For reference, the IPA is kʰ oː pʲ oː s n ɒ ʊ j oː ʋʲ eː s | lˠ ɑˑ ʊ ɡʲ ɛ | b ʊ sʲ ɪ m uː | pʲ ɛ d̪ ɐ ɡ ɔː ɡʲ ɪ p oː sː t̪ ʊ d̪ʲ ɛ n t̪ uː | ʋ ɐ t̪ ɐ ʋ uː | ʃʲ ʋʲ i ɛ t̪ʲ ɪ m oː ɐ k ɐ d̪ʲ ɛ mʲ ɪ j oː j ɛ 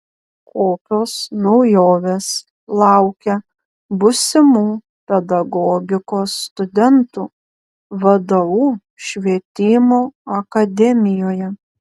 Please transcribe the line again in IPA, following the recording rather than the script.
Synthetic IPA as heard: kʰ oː pʲ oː s n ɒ ʊ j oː ʋʲ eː s | lˠ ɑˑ ʊ kʲ ɛ | b ʊ sʲ ɪ m uː | pʲ ɛ d̪ ɐ ɡ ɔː ɡʲ ɪ k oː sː t̪ ʊ d̪ʲ ɛ n t̪ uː | ʋ ɐ d̪ ɐ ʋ uː | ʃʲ ʋʲ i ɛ t̪ʲ ɪ m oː ɐ k ɐ d̪ʲ ɛ mʲ ɪ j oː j ɛ

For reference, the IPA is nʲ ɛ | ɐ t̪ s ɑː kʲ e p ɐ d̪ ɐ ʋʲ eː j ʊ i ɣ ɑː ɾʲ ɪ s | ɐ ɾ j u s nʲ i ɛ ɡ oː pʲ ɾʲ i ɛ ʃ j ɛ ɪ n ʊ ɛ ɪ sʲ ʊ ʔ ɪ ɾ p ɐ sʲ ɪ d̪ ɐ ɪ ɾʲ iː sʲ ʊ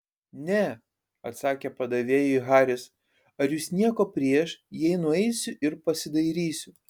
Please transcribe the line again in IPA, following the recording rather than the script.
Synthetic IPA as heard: nʲ ɛ | ɐ t̪ s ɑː kʲ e p ɐ d̪ ɐ ʋʲ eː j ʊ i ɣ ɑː ɾʲ ɪ s | ɐ ɾ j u s nʲ i ɛ k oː pʲ ɾʲ i ɛ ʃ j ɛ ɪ n ʊ ɛ ɪ sʲ ʊ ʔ ɪ ɾ p ɐ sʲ ɪ d̪ ɐ ɪ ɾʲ iː sʲ ʊ

